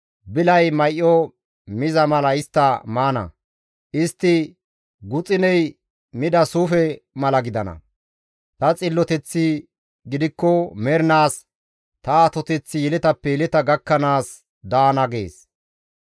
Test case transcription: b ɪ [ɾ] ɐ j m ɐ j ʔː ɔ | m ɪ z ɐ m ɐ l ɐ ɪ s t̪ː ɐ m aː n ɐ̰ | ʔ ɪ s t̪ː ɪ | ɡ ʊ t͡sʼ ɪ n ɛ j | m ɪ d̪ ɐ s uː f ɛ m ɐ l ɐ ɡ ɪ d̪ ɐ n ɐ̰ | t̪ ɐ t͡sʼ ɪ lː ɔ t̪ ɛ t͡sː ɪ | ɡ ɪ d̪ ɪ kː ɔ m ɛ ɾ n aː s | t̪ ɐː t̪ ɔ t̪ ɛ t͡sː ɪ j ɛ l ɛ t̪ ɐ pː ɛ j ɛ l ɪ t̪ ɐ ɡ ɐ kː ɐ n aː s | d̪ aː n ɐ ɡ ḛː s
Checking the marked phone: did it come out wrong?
yes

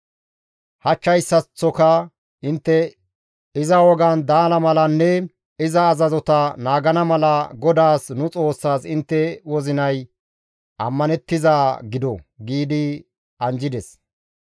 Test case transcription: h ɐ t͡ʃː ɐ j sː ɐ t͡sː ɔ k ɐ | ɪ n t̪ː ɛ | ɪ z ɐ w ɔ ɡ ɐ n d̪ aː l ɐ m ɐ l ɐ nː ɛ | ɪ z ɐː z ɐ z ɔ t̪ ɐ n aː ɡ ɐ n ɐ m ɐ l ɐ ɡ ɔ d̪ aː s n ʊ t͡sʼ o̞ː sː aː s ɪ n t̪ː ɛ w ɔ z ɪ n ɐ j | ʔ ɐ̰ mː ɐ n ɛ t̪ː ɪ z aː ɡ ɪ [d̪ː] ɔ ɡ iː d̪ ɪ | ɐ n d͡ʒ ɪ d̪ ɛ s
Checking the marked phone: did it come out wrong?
yes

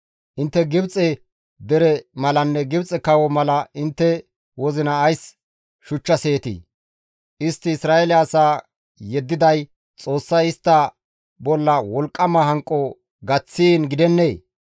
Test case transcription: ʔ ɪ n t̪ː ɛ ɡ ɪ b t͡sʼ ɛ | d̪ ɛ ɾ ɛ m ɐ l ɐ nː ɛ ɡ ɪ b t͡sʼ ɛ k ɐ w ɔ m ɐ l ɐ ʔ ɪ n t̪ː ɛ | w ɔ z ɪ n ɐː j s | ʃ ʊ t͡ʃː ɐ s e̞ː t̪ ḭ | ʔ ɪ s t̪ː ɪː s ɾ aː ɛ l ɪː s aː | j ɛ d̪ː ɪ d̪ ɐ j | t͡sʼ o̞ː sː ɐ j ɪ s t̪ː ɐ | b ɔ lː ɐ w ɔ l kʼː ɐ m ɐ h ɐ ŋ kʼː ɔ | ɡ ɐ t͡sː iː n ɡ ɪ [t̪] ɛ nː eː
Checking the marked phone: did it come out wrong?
yes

